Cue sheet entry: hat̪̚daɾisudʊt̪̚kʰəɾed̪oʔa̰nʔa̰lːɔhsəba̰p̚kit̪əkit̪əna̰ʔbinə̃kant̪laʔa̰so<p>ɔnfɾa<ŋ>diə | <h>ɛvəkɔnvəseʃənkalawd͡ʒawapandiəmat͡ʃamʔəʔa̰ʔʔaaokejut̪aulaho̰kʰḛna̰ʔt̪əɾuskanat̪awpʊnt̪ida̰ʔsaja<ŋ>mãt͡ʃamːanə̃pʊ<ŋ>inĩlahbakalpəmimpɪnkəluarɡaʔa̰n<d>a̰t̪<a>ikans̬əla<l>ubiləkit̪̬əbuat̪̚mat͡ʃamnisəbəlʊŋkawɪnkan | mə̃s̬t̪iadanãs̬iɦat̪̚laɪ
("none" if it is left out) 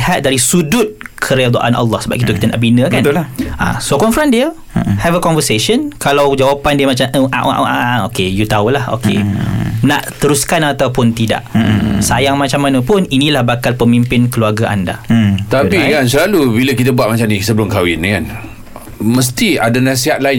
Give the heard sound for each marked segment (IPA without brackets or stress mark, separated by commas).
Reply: k, n, h, ŋ, n, d, a, l